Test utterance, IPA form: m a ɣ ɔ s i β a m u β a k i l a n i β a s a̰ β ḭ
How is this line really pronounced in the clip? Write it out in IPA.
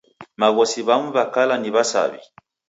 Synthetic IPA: m a ɣ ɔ s i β a m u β a k a l a n i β a s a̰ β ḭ

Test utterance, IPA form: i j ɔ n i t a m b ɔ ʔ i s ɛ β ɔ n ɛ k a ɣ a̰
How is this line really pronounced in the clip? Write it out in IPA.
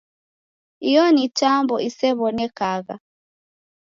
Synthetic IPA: i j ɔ n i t a m b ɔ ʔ i s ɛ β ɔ n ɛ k a ɣ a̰

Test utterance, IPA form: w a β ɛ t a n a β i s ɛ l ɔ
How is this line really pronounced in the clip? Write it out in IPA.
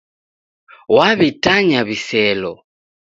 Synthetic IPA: w a β i t a ɲ a β i s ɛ l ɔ

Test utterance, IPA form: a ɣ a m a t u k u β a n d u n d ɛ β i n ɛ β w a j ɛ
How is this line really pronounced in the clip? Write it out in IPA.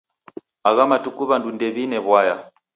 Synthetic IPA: a ɣ a m a t u k u β a n d u n d ɛ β i n ɛ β w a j a

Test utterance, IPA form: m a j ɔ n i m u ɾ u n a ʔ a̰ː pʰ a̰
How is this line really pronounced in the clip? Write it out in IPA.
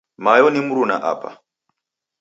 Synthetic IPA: m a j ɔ n i m u ɾ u n a ʔ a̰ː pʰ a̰

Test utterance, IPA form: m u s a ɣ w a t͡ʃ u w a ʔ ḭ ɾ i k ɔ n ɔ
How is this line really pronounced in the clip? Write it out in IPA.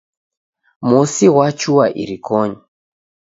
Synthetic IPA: m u s i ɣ w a t͡ʃ u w a ʔ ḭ ɾ i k ɔ ɲ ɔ

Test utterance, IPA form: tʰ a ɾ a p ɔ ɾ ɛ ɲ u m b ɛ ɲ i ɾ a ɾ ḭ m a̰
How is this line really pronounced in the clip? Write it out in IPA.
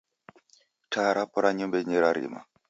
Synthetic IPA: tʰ a ɾ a p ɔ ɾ a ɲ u m b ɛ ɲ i ɾ a ɾ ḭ m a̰

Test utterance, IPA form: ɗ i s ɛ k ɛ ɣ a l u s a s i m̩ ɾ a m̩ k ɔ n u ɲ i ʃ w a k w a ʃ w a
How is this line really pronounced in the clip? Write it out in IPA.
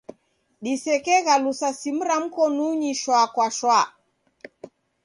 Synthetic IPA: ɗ i s ɛ k ɛ ɣ a l u s a s i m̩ ɾ a m̩ k ɔ n u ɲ i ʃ w a k w a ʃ w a

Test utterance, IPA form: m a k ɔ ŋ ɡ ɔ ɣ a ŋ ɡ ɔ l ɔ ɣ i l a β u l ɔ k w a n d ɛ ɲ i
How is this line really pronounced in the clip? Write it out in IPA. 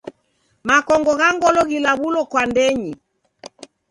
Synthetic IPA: m a k ɔ ŋ ɡ ɔ ɣ a ŋ ɡ ɔ l ɔ ɣ i l a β u l ɔ k w a n d ɛ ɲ i

